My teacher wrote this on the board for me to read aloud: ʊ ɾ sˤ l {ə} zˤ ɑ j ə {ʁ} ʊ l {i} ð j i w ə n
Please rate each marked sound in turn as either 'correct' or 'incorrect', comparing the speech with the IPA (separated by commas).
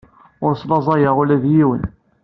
incorrect, correct, incorrect